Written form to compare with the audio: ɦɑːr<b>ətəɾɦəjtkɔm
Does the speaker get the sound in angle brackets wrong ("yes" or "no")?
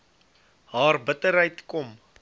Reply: no